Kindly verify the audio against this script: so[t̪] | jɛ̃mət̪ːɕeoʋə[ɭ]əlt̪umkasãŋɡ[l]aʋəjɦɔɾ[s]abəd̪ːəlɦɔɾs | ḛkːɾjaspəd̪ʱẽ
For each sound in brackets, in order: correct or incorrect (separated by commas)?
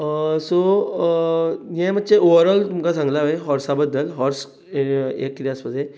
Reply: incorrect, incorrect, correct, correct